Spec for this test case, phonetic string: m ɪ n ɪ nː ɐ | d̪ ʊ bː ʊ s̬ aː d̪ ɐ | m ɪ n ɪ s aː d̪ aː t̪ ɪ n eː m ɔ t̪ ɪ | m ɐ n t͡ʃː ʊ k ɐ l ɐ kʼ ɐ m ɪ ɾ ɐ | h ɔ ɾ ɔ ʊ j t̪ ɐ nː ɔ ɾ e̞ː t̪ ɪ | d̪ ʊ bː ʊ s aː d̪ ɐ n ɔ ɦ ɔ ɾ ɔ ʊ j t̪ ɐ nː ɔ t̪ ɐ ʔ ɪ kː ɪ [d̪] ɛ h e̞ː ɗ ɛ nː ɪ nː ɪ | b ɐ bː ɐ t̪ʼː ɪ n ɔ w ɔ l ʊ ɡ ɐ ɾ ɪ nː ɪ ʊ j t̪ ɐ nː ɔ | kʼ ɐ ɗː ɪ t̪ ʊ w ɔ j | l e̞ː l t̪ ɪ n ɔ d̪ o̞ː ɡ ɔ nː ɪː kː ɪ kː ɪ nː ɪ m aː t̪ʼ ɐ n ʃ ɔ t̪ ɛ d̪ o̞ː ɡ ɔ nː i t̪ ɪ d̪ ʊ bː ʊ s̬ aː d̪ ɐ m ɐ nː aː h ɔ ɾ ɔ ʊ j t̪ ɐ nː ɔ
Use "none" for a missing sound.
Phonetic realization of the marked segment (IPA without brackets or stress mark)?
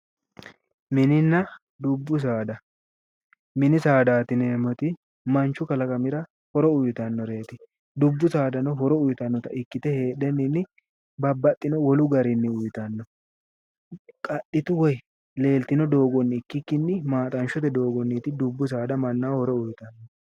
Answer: t̪